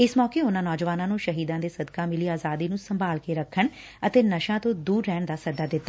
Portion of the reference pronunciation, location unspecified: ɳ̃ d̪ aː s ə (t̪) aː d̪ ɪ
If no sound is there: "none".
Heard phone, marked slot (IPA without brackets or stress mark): d̪